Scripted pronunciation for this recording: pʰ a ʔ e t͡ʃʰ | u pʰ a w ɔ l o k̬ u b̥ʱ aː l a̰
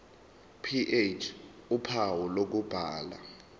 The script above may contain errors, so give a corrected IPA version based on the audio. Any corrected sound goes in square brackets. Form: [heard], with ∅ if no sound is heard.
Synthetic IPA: pʰ [i] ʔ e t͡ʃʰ | u pʰ a w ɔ l o k̬ u b̥ʱ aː l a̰